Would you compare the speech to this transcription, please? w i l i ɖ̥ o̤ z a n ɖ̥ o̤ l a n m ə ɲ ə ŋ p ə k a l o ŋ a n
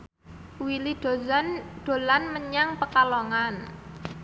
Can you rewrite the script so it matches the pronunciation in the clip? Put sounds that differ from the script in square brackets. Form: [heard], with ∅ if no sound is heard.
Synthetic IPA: w i l i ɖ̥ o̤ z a n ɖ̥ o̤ l a n m ə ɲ [a] ŋ p ə k a l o ŋ a n